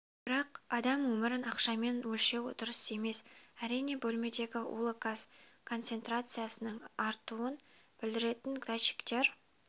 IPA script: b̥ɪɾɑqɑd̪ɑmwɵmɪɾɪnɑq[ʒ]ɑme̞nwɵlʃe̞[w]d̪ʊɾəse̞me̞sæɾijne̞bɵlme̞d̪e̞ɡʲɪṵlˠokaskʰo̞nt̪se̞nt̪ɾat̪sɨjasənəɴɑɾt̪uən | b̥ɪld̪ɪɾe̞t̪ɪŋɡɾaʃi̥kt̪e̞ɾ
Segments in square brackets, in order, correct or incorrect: incorrect: ʃ, correct

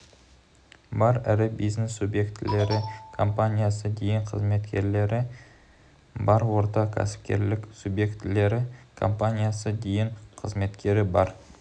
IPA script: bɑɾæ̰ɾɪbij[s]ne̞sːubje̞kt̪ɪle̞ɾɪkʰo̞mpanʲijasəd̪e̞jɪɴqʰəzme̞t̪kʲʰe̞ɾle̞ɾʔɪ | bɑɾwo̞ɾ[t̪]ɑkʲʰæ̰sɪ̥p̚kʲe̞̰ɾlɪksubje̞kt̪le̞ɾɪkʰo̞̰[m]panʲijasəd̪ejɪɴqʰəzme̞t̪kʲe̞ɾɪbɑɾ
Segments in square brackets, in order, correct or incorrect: incorrect: z, correct, correct

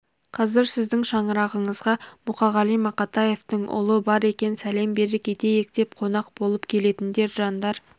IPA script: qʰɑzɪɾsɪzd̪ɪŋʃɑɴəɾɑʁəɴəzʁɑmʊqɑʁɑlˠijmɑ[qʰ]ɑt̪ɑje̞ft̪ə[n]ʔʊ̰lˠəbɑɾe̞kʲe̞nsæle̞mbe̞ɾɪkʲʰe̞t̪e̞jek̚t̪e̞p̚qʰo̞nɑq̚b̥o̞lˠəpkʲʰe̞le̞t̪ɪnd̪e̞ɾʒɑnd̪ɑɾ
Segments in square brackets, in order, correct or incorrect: incorrect: q, incorrect: ɴ

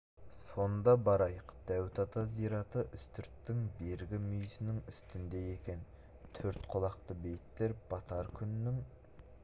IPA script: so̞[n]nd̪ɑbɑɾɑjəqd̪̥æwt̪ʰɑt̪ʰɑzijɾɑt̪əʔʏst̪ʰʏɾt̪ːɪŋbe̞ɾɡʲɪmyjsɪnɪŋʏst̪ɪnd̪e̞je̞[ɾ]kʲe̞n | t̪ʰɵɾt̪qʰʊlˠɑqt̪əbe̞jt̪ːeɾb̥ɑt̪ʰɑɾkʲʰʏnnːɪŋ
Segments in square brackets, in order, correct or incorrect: correct, incorrect: none

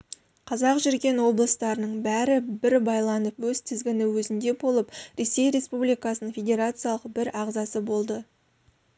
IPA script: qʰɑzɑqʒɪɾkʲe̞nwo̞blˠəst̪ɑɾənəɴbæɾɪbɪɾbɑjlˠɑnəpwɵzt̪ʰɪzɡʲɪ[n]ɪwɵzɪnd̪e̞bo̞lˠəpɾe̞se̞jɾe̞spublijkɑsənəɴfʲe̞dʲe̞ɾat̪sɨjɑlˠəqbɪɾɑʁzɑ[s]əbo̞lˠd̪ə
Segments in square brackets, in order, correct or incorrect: correct, correct

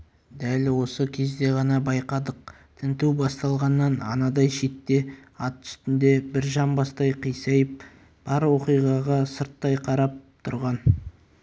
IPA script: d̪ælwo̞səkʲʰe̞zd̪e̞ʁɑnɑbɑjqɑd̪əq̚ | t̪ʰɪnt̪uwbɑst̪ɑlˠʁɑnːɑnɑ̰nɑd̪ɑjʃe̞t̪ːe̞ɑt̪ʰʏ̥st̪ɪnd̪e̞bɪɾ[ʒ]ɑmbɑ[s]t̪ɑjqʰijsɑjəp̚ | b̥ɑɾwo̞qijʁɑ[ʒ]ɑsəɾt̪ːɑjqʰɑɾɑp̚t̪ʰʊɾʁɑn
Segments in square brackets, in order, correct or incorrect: correct, correct, incorrect: ʁ

